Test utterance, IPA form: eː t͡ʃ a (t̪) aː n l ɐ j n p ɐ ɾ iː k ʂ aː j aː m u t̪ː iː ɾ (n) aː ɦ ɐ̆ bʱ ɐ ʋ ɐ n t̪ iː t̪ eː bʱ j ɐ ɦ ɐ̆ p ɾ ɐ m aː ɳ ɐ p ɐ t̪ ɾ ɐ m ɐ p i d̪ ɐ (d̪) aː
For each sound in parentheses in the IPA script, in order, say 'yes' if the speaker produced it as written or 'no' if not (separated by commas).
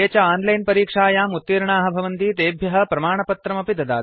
no, no, yes